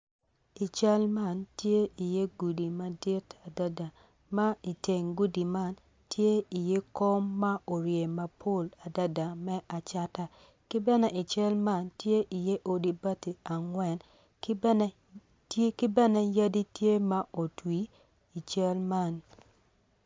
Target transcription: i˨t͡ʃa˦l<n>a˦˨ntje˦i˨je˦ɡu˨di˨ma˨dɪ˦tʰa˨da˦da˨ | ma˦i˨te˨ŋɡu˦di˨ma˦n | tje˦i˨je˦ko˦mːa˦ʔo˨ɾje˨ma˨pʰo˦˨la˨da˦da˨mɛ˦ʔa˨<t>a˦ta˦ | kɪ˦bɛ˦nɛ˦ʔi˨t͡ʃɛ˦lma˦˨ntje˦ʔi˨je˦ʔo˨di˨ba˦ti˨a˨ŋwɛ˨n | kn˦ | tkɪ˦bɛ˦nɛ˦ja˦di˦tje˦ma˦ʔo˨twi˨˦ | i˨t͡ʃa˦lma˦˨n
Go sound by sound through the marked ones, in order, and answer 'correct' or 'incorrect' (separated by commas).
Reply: incorrect, incorrect